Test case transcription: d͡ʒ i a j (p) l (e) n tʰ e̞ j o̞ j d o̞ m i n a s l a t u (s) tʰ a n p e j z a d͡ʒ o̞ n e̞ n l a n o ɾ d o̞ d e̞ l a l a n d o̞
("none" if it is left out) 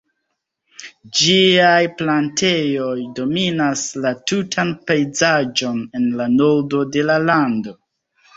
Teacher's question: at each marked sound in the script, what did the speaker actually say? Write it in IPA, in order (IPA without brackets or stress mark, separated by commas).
p, a, none